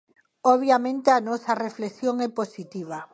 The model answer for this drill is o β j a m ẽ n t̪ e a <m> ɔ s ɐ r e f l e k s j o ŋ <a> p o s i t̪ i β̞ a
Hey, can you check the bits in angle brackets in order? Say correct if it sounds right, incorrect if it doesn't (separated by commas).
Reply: incorrect, incorrect